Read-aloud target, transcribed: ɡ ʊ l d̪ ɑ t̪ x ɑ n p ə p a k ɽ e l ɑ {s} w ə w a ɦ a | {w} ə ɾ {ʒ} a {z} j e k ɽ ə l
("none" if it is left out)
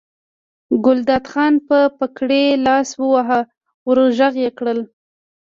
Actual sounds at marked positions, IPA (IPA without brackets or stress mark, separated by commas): s, w, ʒ, ɣ